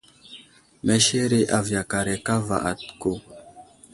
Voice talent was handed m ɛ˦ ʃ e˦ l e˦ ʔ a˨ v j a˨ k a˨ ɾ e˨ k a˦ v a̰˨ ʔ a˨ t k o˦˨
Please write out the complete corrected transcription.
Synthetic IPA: m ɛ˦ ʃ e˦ ɾ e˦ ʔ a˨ v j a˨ k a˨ ɾ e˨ k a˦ v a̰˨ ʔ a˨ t k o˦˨